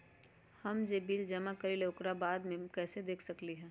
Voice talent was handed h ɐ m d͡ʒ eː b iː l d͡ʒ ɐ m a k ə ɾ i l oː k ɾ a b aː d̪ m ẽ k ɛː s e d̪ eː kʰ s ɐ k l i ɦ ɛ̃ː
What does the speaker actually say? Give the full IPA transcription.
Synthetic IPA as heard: h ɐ m d͡ʒ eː b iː l d͡ʒ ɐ m a k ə ɾ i l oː k ɾ a b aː d̪ m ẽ k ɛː s e d̪ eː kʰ s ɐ k l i ɦ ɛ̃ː